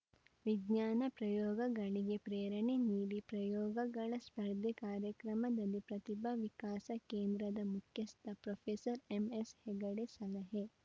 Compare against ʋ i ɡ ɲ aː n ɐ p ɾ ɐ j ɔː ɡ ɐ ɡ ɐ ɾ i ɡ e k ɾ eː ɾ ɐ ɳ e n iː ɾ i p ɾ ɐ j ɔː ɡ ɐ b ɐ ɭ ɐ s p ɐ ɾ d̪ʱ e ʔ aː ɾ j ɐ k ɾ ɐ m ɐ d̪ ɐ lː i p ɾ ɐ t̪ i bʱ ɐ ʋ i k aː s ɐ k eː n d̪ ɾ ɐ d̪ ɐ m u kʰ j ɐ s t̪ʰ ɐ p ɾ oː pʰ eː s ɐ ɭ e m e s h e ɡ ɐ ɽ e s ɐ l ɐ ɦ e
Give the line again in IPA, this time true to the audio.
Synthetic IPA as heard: ʋ i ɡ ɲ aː n ɐ p ɾ ɐ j ɔː ɡ ɐ ɡ ɐ ɭ i ɡ e p ɾ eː ɾ ɐ ɳ e n iː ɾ i p ɾ ɐ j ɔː ɡ ɐ ɡ ɐ ɭ ɐ s p ɐ ɾ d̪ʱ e k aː ɾ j ɐ k ɾ ɐ m ɐ d̪ ɐ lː i p ɾ ɐ t̪ i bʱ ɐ ʋ i k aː s ɐ k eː n d̪ ɾ ɐ d̪ ɐ m u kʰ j ɐ s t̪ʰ ɐ p ɾ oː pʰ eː s ɐ ɾ e m e s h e ɡ ɐ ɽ e s ɐ l ɐ ɦ e